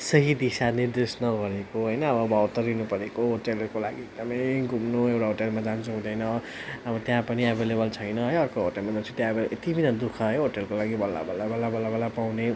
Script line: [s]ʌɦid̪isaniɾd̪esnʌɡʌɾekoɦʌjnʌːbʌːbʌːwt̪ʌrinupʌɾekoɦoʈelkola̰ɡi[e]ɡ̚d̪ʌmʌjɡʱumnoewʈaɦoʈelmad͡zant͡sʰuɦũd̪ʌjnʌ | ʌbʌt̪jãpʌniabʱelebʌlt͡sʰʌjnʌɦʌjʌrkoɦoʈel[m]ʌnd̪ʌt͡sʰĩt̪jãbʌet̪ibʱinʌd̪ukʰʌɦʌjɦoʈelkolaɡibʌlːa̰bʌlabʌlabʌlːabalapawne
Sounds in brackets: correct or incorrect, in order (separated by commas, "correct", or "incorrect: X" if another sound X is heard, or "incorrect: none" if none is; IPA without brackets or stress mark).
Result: correct, correct, correct